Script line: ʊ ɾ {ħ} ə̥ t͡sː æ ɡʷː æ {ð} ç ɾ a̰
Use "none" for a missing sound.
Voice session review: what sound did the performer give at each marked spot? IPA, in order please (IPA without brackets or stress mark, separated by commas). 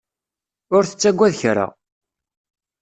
θ, ð